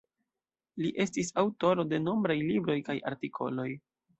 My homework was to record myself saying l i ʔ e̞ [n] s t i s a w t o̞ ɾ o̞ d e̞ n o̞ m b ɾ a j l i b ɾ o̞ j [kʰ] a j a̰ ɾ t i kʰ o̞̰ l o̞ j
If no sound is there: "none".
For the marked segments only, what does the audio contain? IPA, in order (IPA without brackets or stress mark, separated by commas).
none, k